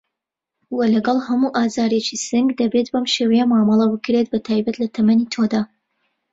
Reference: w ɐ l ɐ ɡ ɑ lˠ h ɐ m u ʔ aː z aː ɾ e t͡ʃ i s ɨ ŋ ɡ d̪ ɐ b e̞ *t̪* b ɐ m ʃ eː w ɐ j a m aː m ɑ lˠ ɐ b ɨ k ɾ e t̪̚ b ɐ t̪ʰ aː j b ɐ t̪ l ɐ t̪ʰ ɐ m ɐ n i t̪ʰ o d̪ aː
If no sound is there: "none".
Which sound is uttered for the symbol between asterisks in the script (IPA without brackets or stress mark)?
t̪